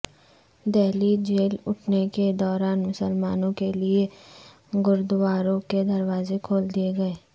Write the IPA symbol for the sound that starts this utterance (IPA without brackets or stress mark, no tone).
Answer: d̪